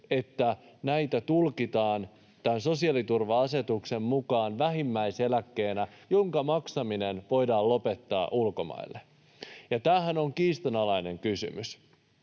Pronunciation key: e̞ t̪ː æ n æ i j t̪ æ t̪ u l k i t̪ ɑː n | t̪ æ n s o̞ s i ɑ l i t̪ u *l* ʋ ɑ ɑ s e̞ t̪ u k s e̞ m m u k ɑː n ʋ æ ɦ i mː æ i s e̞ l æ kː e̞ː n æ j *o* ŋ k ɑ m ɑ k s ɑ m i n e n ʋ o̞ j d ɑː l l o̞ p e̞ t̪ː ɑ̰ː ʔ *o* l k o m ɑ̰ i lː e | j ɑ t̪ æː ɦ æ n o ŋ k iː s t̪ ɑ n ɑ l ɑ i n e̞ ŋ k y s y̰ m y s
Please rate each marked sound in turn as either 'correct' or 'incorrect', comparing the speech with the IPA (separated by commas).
incorrect, correct, incorrect